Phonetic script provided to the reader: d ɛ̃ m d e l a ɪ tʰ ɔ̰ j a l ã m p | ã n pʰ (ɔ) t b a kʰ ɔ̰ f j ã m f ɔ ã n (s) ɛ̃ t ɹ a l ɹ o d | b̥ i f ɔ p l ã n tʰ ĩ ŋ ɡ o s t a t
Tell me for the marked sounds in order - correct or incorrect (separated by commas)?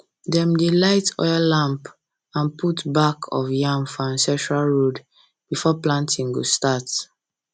incorrect, correct